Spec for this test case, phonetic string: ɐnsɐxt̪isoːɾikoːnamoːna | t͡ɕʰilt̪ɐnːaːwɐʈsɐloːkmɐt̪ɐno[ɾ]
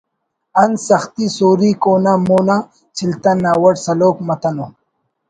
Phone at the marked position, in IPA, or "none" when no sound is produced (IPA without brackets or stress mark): none